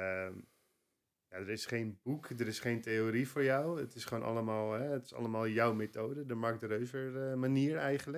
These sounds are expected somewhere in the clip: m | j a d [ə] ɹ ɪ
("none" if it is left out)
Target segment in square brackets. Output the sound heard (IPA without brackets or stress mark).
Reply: ə